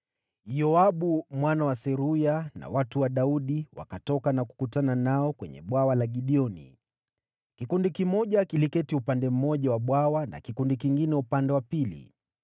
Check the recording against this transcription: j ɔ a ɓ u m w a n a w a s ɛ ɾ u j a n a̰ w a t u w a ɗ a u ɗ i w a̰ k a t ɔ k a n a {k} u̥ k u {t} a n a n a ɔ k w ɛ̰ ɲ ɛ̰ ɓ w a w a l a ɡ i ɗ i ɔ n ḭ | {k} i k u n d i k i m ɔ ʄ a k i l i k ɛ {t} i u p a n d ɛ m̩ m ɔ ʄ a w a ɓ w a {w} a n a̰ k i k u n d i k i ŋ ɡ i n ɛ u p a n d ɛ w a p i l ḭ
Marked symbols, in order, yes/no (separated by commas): yes, yes, yes, yes, yes